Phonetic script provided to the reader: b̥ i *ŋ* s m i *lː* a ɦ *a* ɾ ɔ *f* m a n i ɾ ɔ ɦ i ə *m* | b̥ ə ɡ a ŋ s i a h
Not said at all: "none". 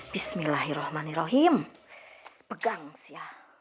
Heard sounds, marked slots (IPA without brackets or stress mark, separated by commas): none, l, i, h, m